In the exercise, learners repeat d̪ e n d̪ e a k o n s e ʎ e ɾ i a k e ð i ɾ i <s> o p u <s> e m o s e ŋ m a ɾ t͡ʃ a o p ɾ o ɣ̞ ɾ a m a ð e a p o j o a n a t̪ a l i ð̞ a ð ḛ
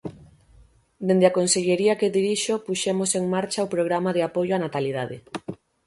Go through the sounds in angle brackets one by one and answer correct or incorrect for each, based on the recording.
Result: incorrect, incorrect

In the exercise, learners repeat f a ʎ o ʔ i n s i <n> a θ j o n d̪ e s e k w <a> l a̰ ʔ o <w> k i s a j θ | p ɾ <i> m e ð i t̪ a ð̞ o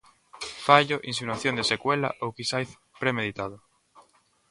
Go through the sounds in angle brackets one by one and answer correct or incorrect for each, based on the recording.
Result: correct, incorrect, correct, incorrect

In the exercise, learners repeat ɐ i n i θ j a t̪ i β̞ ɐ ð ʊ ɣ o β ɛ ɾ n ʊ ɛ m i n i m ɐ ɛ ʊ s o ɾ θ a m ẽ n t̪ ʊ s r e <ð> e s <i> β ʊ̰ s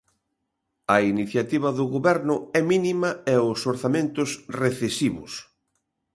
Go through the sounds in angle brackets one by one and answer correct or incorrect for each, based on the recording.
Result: incorrect, correct

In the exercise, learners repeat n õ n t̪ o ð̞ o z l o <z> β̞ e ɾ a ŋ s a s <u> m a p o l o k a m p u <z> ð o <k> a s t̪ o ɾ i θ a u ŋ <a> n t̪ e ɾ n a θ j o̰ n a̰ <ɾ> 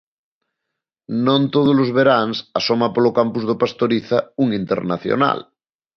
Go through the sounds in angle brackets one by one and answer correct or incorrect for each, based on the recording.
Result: correct, incorrect, correct, incorrect, incorrect, incorrect

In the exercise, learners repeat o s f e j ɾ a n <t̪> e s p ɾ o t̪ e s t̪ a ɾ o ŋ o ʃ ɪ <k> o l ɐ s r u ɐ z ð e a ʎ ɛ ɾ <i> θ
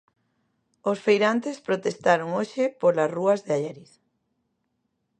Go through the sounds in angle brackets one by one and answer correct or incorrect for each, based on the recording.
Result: correct, incorrect, correct

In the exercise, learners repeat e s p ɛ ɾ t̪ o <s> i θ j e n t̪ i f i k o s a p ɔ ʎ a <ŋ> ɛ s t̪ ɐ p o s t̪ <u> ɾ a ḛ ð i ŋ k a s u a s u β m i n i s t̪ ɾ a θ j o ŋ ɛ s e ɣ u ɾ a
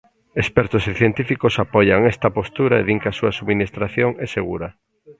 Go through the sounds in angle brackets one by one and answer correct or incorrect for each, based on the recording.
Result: correct, correct, correct

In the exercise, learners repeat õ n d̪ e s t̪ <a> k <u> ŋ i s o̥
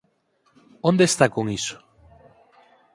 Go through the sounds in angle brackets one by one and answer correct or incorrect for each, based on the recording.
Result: correct, incorrect

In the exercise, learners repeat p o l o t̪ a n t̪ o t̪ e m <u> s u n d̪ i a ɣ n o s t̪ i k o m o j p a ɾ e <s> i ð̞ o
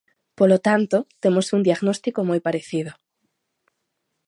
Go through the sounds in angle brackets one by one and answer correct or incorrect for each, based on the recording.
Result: incorrect, incorrect

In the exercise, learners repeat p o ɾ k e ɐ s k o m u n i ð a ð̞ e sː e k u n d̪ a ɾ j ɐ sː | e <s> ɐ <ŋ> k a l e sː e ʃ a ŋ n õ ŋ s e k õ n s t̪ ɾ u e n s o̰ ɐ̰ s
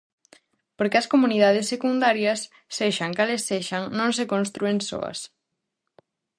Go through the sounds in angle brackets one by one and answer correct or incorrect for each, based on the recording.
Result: incorrect, correct

